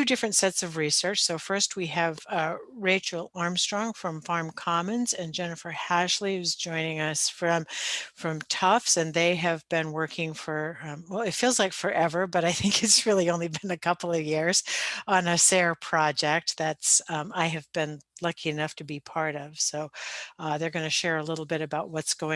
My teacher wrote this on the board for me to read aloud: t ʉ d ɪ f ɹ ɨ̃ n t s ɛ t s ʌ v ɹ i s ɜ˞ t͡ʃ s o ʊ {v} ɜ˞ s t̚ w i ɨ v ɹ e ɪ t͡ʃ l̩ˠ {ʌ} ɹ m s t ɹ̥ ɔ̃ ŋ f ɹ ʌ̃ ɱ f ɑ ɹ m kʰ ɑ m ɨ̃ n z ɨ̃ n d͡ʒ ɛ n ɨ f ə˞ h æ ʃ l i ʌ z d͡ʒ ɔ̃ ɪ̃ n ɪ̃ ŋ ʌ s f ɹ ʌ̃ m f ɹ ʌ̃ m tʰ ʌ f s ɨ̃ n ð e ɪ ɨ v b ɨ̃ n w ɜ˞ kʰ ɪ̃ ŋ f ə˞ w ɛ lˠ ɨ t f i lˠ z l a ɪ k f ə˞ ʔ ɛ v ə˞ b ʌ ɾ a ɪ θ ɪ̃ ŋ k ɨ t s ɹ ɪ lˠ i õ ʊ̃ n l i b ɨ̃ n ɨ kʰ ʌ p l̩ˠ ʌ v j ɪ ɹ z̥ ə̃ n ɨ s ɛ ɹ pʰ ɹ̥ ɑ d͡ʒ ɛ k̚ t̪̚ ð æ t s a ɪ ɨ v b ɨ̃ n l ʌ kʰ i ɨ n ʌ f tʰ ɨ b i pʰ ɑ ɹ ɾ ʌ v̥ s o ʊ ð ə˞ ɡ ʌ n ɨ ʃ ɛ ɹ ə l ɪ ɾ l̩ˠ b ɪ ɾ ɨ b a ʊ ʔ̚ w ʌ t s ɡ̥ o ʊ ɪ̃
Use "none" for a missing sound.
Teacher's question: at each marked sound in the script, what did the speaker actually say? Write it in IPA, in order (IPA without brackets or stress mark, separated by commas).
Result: f, ɑ